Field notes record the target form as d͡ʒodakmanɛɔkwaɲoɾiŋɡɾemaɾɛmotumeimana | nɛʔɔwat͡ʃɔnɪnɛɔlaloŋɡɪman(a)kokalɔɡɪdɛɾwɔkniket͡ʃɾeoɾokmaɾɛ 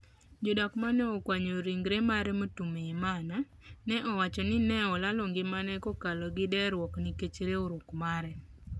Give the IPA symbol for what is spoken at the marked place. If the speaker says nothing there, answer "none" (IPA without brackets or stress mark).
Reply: ɛ